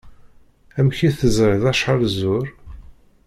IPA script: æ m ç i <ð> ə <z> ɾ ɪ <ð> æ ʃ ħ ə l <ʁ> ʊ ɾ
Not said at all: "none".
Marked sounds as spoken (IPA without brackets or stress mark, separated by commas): θ, z, ð, z